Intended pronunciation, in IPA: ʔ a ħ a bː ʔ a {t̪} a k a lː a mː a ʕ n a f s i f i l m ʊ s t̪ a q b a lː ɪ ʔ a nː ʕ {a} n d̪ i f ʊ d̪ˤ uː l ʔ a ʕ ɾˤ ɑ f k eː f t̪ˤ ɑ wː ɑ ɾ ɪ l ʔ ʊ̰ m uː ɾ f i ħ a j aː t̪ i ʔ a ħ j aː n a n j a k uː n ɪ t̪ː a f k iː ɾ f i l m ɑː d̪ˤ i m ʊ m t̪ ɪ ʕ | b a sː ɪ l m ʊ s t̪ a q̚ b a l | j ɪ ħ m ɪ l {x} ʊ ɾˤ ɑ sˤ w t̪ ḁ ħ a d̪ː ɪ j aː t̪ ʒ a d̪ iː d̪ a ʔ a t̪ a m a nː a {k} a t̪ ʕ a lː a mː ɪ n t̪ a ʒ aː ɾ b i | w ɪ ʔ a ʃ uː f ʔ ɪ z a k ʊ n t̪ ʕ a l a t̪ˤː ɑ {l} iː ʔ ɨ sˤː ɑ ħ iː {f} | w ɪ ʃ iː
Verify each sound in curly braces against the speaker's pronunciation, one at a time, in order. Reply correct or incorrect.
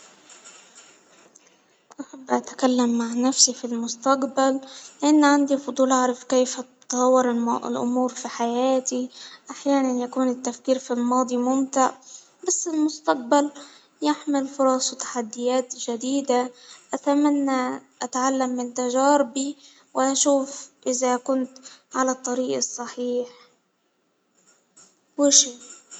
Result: correct, correct, incorrect: f, incorrect: ʔ, incorrect: ɾ, incorrect: ħ

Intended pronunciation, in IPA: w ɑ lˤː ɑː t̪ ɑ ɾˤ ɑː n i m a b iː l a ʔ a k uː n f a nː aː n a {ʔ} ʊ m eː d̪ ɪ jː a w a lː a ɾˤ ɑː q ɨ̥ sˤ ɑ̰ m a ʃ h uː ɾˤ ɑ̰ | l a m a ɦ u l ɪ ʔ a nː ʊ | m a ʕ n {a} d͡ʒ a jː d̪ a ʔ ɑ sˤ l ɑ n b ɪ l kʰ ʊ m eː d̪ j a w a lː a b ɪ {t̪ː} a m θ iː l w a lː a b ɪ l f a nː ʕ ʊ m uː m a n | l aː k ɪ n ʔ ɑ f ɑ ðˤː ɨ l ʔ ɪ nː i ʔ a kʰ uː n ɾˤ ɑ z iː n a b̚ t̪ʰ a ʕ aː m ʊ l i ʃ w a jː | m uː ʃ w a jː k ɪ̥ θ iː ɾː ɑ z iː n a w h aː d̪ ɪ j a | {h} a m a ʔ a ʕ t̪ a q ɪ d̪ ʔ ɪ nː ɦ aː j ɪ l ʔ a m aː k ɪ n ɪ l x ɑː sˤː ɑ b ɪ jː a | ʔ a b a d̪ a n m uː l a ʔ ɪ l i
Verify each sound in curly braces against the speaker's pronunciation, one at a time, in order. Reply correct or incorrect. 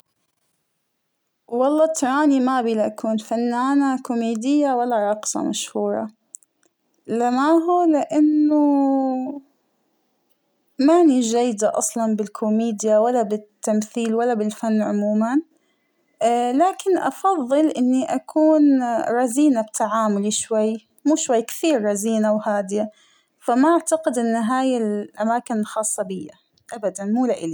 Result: incorrect: k, incorrect: i, correct, incorrect: f

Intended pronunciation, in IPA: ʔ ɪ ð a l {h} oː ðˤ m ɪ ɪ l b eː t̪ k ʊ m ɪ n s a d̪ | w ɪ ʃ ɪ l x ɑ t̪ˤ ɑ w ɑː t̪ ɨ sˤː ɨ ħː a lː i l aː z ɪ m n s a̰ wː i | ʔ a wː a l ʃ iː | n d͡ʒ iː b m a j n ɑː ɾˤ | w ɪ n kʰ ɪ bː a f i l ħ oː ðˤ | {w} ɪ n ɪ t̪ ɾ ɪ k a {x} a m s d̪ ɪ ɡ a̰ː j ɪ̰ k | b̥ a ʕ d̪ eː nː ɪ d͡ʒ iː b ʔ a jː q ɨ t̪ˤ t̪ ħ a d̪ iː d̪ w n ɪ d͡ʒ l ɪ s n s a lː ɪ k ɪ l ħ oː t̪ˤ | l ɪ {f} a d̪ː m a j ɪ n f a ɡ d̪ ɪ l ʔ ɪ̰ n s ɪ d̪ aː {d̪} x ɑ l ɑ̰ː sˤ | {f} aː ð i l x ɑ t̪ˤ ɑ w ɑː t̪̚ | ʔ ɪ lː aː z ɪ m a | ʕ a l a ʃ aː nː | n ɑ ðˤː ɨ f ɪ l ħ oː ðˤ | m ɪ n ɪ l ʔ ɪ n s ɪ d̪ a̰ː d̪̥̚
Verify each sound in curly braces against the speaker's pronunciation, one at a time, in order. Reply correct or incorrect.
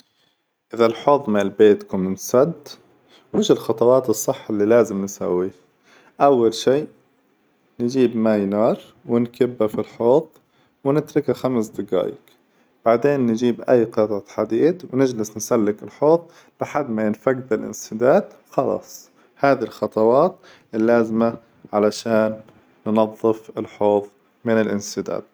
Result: incorrect: ħ, correct, correct, incorrect: ħ, correct, incorrect: h

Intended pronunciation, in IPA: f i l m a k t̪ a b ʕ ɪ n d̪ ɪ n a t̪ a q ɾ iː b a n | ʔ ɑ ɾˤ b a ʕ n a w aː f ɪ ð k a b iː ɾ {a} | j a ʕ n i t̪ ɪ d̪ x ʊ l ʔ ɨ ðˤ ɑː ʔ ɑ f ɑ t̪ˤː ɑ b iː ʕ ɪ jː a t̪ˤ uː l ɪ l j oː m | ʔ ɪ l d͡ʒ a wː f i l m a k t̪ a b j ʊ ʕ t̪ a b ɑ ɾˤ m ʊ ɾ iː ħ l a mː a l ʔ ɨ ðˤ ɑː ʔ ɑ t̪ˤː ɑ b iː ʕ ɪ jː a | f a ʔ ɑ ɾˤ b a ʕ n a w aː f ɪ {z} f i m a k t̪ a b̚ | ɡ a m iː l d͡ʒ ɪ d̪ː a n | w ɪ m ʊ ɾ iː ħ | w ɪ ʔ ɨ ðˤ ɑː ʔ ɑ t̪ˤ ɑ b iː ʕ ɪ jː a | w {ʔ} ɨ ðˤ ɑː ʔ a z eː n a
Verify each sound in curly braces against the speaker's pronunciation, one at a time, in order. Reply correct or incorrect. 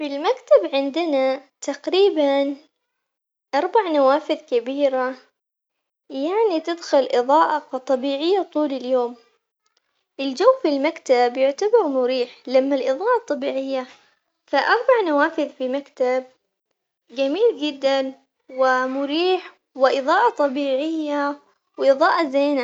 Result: correct, incorrect: ð, correct

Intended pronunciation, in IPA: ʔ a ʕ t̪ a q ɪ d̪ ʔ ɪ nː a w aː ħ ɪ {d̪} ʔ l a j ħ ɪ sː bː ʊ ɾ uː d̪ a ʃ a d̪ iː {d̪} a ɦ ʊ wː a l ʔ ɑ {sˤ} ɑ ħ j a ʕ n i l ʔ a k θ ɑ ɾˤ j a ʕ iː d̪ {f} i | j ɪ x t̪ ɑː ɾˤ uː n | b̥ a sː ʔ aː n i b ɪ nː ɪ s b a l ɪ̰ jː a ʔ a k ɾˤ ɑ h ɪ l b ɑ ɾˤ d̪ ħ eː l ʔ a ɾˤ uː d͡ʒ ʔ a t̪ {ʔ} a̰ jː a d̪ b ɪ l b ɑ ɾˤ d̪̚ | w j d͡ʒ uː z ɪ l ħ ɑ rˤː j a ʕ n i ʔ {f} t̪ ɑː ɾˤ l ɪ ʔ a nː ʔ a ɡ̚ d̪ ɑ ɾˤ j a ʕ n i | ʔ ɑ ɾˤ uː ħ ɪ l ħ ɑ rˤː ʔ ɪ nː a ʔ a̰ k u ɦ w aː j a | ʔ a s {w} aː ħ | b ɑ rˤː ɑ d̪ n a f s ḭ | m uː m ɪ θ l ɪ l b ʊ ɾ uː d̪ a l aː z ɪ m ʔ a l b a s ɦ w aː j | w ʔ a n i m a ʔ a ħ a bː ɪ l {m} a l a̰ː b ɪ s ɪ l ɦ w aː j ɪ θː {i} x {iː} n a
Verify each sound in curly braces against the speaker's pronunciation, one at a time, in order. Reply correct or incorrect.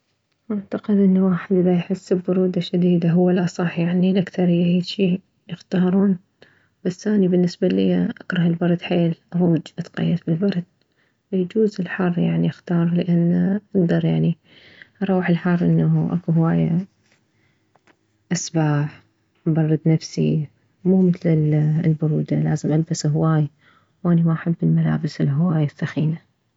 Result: correct, correct, correct, incorrect: ʃ, incorrect: q, incorrect: x, incorrect: b, correct, incorrect: a, correct

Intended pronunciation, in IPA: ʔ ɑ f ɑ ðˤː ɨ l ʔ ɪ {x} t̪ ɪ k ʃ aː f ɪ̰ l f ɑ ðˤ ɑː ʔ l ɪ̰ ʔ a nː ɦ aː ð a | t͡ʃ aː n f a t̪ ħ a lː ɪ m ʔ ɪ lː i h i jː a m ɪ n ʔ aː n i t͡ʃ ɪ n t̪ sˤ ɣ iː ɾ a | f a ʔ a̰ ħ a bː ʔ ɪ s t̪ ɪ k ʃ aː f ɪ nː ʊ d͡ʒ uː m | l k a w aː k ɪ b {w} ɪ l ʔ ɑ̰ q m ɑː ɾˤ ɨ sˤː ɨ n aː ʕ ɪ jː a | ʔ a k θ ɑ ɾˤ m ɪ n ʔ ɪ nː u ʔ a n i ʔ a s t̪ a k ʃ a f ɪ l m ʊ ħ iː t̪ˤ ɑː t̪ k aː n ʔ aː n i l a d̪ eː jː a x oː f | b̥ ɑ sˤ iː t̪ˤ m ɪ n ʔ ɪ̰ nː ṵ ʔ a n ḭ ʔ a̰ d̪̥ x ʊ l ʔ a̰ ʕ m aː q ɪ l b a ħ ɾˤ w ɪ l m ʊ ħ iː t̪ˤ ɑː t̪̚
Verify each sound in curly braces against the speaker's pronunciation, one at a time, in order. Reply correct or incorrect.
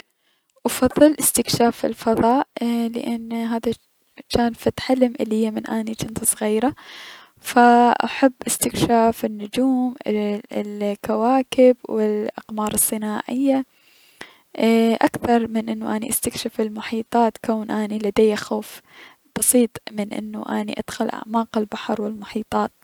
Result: incorrect: s, correct

